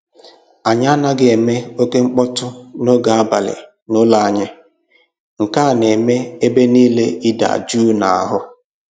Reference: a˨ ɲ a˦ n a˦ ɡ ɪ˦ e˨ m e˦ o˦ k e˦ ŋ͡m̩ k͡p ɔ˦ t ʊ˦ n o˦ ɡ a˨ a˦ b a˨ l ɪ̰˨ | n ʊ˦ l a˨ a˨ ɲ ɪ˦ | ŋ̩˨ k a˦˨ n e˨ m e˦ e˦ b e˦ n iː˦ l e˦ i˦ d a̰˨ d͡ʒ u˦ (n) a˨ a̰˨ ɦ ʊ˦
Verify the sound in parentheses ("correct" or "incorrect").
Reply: correct